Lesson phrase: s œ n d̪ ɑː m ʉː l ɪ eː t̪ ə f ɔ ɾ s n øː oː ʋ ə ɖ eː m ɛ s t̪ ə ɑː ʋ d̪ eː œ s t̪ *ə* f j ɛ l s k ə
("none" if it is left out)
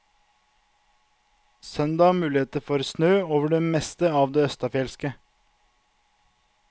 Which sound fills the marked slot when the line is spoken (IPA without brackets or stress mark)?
ɑ